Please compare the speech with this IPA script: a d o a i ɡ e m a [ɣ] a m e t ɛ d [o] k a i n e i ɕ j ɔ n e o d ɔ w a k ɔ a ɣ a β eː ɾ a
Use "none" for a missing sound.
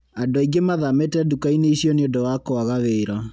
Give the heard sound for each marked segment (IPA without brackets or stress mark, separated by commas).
ð, u